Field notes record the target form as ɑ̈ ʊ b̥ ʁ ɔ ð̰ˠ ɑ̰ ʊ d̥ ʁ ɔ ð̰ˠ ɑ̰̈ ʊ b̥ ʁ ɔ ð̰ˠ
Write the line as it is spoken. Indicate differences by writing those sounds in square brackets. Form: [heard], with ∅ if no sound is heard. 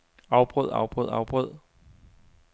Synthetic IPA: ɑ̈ ʊ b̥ ʁ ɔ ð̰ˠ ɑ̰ ʊ [b̥] ʁ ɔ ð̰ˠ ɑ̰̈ ʊ b̥ ʁ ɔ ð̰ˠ